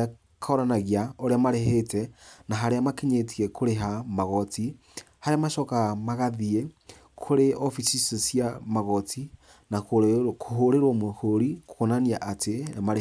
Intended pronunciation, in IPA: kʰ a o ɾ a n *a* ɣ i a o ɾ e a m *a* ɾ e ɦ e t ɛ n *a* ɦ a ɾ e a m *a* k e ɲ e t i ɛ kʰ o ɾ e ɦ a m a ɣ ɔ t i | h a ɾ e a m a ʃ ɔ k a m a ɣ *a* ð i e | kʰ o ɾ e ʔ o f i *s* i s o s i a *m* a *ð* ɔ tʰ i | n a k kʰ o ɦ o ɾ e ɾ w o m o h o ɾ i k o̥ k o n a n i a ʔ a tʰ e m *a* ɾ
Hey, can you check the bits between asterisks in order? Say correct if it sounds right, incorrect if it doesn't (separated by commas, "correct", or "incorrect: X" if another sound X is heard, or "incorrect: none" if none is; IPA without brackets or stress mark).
correct, correct, correct, correct, correct, correct, correct, incorrect: ɣ, correct